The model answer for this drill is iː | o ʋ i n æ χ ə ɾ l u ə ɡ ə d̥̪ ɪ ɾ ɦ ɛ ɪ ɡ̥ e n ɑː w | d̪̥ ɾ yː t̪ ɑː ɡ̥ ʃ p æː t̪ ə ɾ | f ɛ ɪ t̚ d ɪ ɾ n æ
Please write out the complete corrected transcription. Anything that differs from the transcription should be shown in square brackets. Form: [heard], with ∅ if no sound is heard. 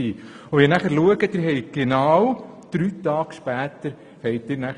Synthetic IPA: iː | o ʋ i n æ χ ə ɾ l u ə ɡ ə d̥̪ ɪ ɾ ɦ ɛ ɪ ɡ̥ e n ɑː w | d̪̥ ɾ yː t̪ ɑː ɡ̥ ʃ p æː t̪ ə ɾ | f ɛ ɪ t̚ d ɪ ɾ n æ